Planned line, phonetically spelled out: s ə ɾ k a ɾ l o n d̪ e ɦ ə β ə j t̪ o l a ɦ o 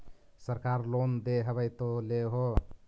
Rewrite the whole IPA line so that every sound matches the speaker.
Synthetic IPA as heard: s ə ɾ k a ɾ l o n d̪ e ɦ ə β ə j t̪ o l e ɦ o